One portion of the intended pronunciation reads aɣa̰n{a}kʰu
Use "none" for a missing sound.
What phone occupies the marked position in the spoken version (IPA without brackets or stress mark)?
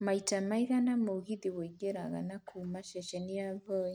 a